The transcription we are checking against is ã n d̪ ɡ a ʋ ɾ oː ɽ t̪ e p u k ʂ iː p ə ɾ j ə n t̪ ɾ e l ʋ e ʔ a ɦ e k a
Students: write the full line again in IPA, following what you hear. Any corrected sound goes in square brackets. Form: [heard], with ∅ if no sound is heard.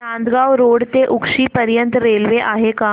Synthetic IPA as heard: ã n d̪ ɡ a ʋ ɾ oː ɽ t̪ e [ʔ] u k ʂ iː p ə ɾ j ə n t̪ ɾ e l ʋ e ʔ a ɦ e k a